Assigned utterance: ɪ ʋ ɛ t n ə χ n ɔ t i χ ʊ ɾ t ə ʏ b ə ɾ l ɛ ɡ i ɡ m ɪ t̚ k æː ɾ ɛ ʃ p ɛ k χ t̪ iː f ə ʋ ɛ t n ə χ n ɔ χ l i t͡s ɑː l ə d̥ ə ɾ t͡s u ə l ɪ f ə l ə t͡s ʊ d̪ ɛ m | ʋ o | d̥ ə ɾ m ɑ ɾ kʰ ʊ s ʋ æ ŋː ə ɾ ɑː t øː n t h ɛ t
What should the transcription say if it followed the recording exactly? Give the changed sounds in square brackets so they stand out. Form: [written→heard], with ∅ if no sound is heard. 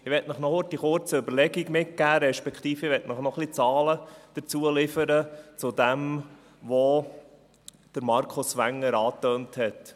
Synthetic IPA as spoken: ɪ ʋ ɛ t n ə χ n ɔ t i χ ʊ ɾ [t→t͡s] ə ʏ b ə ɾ l ɛ ɡ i ɡ m ɪ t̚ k æː ɾ ɛ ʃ p ɛ k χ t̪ iː f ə ʋ ɛ t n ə χ n ɔ χ l i t͡s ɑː l ə d̥ ə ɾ t͡s u ə l ɪ f ə [l→ɾ] ə t͡s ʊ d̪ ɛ m | ʋ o | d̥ ə ɾ m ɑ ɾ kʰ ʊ s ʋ æ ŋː ə ɾ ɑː t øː n t h ɛ t